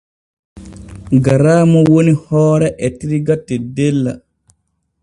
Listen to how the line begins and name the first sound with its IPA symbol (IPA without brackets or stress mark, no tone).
ɡ